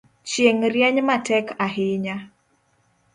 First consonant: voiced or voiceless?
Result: voiceless